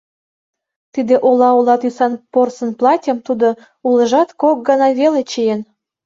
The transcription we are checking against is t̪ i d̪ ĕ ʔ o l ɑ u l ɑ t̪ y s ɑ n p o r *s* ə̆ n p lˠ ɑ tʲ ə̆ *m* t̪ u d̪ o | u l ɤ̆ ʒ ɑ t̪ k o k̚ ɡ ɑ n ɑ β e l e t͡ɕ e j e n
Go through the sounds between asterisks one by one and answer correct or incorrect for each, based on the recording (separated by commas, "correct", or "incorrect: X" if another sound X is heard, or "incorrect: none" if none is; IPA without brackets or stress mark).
correct, correct